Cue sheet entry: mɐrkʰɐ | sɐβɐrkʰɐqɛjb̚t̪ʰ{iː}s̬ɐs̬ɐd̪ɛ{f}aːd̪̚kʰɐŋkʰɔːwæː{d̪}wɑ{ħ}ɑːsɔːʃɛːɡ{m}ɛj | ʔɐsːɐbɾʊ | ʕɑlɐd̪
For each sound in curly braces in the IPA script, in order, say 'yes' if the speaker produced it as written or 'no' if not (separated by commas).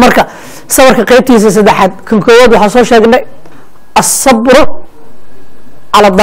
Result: yes, no, yes, yes, no